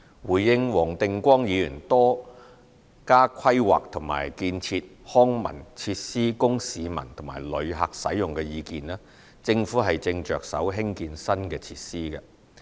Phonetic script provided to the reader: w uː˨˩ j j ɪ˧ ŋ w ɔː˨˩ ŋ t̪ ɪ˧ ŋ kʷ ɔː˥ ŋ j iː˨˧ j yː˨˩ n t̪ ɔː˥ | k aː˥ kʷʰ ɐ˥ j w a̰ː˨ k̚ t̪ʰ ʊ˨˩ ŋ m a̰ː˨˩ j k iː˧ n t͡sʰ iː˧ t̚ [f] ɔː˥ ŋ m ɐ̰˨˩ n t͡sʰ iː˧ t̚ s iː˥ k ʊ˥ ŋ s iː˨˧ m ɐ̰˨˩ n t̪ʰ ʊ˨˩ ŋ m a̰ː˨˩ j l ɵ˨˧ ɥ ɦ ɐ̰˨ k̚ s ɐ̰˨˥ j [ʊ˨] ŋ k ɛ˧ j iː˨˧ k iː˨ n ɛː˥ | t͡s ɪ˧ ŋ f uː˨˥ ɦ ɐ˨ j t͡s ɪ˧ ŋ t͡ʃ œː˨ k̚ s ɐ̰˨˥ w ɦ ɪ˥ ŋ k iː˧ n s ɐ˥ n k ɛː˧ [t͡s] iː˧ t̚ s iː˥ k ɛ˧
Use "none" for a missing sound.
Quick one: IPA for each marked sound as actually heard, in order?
h, ʊ˨, t͡sʰ

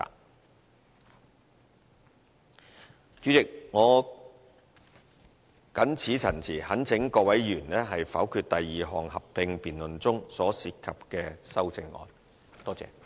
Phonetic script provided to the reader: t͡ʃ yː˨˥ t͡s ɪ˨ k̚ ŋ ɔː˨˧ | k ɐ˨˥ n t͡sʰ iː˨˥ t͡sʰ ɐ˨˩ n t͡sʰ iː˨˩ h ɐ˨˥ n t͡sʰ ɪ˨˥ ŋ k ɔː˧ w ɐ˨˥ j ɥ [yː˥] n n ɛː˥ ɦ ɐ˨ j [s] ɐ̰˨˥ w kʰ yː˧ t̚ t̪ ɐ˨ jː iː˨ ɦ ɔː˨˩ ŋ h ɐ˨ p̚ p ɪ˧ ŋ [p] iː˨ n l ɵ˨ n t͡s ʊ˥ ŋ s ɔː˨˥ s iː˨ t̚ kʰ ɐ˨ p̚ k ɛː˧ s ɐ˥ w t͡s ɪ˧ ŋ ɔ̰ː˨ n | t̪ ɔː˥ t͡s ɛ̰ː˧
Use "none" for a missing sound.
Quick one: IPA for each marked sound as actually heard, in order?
yː˨˩, f, p

